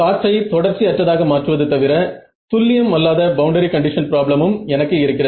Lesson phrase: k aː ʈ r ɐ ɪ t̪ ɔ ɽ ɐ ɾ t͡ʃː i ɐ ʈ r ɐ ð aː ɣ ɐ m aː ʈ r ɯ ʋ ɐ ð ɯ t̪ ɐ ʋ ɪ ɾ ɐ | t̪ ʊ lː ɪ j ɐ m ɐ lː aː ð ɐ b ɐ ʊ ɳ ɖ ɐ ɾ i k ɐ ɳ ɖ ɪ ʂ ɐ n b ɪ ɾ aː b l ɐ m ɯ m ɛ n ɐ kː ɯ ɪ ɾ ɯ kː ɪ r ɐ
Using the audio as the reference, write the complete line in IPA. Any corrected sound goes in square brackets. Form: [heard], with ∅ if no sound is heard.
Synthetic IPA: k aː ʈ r ɐ ɪ t̪ ɔ ɽ ɐ ɾ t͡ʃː i ɐ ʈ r ɐ ð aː ɣ ɐ m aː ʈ r ɯ ʋ ɐ ð ɯ t̪ ɐ ʋ ɪ ɾ ɐ | t̪ ʊ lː ɪ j ɐ m ɐ lː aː ð ɐ b ɐ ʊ ɳ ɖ ɐ ɾ i k ɐ ɳ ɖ ɪ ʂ ɐ n [p] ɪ ɾ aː b l ɐ m ɯ m ɛ n ɐ kː ɯ ɪ ɾ ɯ kː ɪ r ɐ

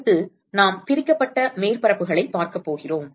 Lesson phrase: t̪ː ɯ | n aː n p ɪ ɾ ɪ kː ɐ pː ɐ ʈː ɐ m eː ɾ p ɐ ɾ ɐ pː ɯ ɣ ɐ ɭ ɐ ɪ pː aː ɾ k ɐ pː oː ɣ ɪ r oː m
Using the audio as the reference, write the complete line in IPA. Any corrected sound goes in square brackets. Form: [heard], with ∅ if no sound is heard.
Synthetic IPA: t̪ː ɯ | n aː [m] p ɪ ɾ ɪ kː ɐ pː ɐ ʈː ɐ m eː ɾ p ɐ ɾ ɐ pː ɯ ɣ ɐ ɭ ɐ ɪ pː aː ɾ k ɐ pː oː ɣ ɪ r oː m

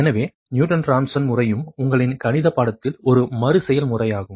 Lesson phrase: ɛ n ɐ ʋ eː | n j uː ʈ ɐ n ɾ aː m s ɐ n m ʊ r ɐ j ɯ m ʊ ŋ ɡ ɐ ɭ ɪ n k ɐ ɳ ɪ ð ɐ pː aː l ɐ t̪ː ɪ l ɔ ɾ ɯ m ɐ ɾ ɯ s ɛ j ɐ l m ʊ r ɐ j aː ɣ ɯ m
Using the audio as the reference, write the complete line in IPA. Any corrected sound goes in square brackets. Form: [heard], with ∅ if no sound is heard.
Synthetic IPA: ɛ n ɐ ʋ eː | n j uː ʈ ɐ n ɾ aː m s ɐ n m ʊ r ɐ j ɯ m ʊ ŋ ɡ ɐ ɭ ɪ n k ɐ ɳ ɪ ð ɐ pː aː [ɽ] ɐ t̪ː ɪ l ɔ ɾ ɯ m ɐ ɾ ɯ s ɛ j ɐ l m ʊ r ɐ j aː ɣ ɯ m

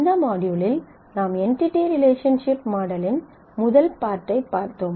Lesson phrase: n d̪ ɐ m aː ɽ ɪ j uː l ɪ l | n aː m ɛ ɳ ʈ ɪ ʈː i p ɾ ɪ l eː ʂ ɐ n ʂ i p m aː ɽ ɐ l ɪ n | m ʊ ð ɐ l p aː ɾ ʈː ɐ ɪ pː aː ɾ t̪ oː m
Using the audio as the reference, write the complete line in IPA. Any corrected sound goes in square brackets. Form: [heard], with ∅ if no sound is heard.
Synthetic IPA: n d̪ ɐ m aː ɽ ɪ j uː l ɪ l | n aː m ɛ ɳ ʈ ɪ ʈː i [∅] ɾ ɪ l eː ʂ ɐ n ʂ [ɪ] p m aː ɽ ɐ l ɪ n | m ʊ ð ɐ l p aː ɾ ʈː ɐ ɪ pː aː ɾ t̪ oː m

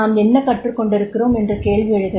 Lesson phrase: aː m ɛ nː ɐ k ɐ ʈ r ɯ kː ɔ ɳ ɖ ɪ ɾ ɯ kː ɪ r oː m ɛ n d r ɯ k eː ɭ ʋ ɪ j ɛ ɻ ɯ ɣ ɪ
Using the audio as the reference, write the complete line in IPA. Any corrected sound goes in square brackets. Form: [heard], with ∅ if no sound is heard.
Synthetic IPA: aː m ɛ nː ɐ k ɐ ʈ r ɯ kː ɔ ɳ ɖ ɪ ɾ ɯ kː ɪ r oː m ɛ n d r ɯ k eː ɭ ʋ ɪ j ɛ ɻ ɯ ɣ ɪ

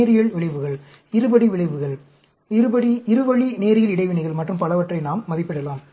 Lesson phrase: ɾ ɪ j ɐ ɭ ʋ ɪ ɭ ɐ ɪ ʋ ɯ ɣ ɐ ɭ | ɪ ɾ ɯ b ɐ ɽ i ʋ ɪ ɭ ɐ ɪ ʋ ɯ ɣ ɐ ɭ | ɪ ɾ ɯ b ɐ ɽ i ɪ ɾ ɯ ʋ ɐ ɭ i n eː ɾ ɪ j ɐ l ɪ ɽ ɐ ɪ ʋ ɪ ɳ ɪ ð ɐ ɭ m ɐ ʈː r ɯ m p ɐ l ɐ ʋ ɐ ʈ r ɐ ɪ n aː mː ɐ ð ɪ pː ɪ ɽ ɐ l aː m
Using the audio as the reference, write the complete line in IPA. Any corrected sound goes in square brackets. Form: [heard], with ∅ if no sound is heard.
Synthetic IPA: ɾ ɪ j ɐ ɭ ʋ ɪ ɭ ɐ ɪ ʋ ɯ ɣ ɐ ɭ | ɪ ɾ ɯ b ɐ ɽ i ʋ ɪ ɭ ɐ ɪ ʋ ɯ ɣ ɐ ɭ | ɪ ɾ ɯ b ɐ ɽ i ɪ ɾ ɯ ʋ ɐ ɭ i n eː ɾ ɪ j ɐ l ɪ ɽ ɐ ɪ ʋ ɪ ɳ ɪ [ɣ] ɐ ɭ m ɐ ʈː r ɯ m p ɐ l ɐ ʋ ɐ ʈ r ɐ ɪ n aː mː ɐ ð ɪ pː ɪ ɽ ɐ l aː m

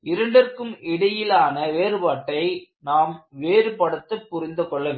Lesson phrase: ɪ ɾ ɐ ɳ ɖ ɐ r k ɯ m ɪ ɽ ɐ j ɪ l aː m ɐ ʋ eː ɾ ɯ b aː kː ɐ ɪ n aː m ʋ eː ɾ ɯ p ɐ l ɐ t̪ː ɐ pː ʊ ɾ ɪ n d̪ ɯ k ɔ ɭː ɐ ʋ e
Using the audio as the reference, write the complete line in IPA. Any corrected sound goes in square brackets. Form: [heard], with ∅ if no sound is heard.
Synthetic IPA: ɪ ɾ ɐ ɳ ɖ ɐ r k ɯ m ɪ ɽ ɐ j ɪ l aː [n] ɐ ʋ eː ɾ ɯ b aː [ʈː] ɐ ɪ n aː m ʋ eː ɾ ɯ p ɐ [ɽ] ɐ t̪ː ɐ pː ʊ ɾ ɪ n d̪ ɯ k ɔ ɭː ɐ ʋ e

